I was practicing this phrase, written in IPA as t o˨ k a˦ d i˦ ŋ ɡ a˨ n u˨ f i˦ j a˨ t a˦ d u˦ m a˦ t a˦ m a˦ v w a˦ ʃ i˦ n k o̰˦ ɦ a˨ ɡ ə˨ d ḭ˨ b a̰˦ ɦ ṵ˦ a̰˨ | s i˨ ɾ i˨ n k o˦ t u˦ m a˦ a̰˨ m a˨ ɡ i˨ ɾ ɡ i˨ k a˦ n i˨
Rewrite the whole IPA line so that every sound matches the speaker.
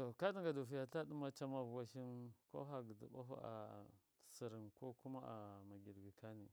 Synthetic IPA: t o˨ k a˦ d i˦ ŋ ɡ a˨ d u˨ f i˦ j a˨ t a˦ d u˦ m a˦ t͡ʃ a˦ m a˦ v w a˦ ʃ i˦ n k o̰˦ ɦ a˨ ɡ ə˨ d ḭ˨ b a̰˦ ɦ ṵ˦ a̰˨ | s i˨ ɾ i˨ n k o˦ k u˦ m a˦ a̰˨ m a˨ ɡ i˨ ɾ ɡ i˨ k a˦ n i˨